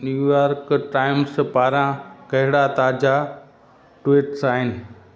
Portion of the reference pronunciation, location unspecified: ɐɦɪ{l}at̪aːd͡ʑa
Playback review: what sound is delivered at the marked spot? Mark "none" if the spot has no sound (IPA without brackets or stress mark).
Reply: ɽ